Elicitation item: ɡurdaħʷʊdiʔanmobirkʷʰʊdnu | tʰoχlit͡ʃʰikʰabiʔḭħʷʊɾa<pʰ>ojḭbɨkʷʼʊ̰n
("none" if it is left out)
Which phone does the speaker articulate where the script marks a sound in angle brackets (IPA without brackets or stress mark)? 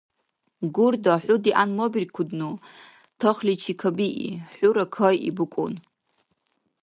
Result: kʰ